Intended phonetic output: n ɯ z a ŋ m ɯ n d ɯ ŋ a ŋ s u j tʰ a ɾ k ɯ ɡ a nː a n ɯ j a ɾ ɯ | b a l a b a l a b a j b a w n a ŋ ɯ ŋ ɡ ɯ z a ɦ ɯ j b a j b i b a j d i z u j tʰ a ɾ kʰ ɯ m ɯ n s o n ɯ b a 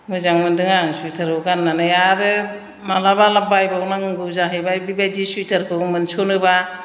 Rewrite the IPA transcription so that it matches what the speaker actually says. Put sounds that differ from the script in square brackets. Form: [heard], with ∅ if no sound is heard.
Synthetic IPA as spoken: [m] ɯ z a ŋ m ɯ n d ɯ ŋ a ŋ s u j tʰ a ɾ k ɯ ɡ a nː a n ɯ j a ɾ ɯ | [m] a l a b a l a b a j b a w n a ŋ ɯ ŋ ɡ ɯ z a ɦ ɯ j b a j b i b a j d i [s] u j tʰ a ɾ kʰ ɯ m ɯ n s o n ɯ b a